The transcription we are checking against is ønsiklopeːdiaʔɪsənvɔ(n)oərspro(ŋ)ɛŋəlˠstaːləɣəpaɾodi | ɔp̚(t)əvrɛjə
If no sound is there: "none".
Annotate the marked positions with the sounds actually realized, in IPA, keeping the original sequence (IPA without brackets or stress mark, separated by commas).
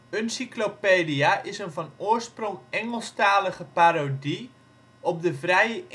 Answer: n, ŋ, d